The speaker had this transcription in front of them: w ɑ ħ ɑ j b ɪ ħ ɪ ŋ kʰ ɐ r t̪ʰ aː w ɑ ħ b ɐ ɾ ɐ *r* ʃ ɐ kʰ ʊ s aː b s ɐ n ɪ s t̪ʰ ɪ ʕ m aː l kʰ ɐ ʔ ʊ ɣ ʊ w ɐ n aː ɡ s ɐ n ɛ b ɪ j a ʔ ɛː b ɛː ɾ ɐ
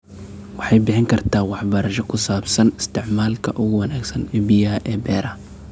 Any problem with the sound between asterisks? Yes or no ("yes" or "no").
yes